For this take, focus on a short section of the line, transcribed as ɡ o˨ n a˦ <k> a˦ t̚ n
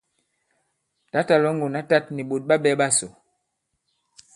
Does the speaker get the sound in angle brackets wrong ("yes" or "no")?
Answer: yes